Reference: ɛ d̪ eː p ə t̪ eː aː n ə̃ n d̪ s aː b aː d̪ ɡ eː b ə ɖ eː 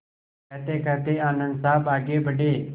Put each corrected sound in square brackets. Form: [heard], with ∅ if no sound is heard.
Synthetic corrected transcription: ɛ [t̪] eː [k] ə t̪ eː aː n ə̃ n d̪ s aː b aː [∅] ɡ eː b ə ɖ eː